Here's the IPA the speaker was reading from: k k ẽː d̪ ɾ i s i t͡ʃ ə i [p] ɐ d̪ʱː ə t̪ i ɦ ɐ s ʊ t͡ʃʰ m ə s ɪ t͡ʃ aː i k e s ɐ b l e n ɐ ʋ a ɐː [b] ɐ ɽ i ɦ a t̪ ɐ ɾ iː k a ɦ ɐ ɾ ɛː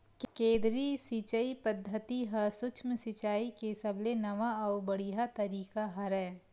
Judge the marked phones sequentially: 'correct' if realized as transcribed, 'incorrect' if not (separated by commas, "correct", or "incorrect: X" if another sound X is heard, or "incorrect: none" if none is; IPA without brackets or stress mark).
correct, correct